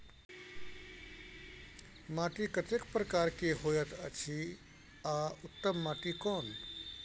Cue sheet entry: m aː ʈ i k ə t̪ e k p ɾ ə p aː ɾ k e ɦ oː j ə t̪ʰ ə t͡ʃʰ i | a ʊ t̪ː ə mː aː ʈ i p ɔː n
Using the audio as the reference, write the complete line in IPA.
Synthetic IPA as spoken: m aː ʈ i k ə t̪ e k p ɾ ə k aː ɾ k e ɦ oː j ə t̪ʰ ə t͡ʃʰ i | a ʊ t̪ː ə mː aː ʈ i k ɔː n